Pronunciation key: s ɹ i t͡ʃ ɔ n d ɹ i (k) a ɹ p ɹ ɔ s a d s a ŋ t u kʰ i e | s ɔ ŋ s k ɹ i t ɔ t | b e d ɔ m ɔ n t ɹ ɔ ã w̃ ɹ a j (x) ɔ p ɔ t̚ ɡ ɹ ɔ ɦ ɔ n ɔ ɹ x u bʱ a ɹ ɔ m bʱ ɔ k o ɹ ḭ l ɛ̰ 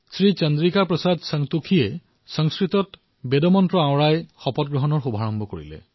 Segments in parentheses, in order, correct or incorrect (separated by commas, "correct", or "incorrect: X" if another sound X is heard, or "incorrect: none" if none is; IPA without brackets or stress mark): correct, correct